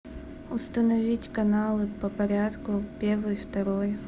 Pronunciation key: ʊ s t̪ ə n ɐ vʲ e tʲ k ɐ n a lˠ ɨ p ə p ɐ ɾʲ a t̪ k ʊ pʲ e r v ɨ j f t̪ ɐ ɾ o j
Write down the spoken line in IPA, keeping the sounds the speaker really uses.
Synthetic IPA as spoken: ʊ s t̪ ə n ɐ vʲ i tʲ k ɐ n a lˠ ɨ p ə p ɐ ɾʲ a t̪ k ʊ pʲ e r v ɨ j f t̪ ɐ ɾ o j